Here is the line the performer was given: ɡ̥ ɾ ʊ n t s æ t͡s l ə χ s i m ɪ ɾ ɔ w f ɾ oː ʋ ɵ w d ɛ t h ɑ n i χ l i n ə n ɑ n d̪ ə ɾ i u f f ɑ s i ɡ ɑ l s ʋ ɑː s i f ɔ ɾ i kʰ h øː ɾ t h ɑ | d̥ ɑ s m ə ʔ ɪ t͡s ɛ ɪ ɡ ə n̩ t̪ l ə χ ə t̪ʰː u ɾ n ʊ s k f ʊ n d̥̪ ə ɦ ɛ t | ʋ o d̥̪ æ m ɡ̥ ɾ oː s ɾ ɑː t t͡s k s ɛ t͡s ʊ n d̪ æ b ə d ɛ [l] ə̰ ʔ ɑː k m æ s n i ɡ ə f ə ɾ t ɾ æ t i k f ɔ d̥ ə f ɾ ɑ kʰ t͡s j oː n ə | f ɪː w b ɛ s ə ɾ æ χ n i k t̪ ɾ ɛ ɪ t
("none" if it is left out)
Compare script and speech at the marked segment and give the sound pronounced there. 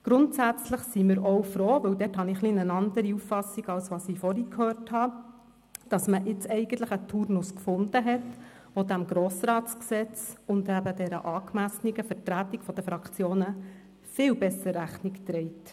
ɾ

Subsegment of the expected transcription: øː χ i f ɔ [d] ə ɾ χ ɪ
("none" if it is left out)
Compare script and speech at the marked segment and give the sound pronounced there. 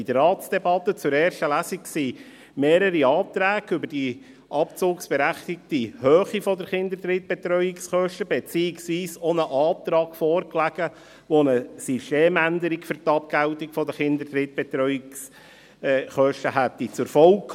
d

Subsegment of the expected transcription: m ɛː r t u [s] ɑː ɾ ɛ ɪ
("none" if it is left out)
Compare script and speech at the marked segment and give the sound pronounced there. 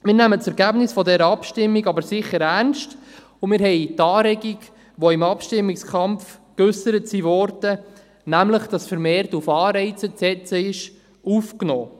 f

